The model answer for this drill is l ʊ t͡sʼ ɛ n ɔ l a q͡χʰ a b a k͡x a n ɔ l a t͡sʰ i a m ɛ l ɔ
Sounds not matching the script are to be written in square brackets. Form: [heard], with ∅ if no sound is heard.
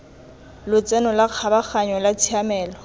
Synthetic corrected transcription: l ʊ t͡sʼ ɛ n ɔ l a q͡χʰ a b a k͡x a [ɲ] ɔ l a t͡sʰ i a m [ɛː] l ɔ